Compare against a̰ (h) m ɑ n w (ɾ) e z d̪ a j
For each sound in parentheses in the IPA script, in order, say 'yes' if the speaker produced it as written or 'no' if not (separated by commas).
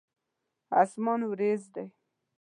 no, yes